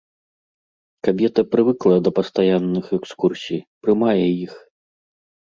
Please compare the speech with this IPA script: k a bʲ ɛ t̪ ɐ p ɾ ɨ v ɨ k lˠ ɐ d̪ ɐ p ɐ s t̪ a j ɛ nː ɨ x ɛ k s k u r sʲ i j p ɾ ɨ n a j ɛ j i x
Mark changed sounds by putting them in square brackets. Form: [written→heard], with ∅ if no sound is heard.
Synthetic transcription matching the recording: k a bʲ ɛ t̪ ɐ p ɾ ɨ v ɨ k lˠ ɐ d̪ ɐ p ɐ s t̪ a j [ɛ→a] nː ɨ x ɛ k s k u r sʲ i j p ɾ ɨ [n→m] a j ɛ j i x